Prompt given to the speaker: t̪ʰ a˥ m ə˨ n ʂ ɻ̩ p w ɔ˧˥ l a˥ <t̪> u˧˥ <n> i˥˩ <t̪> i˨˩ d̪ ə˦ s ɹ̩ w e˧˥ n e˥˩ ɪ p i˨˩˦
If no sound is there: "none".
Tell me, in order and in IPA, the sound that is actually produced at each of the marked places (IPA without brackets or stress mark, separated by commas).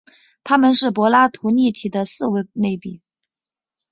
t̪ʰ, n, t̪ʰ